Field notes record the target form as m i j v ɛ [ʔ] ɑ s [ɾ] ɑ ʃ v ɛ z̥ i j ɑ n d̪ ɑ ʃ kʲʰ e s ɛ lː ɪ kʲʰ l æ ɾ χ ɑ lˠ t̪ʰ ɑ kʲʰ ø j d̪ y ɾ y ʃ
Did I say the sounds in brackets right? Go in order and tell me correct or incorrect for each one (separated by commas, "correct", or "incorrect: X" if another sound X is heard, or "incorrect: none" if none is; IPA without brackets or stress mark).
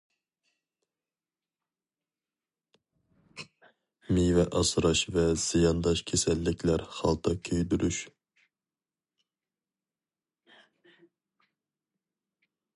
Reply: correct, correct